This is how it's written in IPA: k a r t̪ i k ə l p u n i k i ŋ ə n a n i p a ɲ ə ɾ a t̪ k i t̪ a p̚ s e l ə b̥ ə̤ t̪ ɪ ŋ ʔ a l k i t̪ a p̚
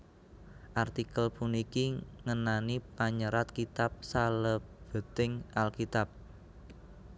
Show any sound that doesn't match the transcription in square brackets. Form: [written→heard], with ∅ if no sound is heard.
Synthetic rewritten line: [k→ʔ] a r t̪ i k ə l p u n i k i ŋ ə n a n i p a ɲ ə ɾ a t̪ k i t̪ a p̚ s [e→a] l ə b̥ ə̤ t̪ ɪ ŋ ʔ a l k i t̪ a p̚